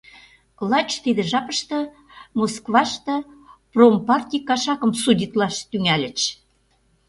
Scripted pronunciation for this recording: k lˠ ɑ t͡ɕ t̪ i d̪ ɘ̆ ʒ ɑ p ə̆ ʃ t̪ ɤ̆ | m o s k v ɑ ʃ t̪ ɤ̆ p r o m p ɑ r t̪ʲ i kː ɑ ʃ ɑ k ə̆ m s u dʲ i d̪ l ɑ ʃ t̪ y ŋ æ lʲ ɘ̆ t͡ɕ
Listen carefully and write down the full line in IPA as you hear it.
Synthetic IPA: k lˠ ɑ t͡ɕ t̪ i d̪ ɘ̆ ʒ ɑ p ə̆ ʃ t̪ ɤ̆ | m o s k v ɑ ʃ t̪ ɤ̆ p r o m p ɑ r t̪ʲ i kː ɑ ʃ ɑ k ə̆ m s u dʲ i t̪ l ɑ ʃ t̪ y ŋ æ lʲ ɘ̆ t͡ɕ